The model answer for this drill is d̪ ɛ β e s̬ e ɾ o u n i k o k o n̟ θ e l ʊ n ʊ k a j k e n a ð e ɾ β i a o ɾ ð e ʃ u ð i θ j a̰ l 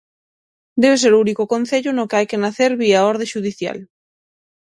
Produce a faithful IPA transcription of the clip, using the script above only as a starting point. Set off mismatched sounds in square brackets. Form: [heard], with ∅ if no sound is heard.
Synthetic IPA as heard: d̪ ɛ β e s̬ e ɾ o u n i k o k o n̟ θ e [ʎ] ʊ n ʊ k a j k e n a [θ] e ɾ β i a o ɾ ð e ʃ u ð i θ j a̰ l